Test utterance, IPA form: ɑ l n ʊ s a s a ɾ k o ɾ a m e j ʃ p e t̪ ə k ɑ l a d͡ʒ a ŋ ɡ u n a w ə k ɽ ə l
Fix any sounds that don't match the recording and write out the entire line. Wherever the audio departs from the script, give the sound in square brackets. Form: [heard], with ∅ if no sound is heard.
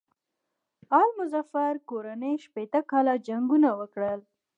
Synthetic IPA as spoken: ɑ l [m] ʊ [z] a [f] a ɾ k o ɾ a [n] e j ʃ p e t̪ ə k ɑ l a d͡ʒ a ŋ ɡ u n a w ə k ɽ ə l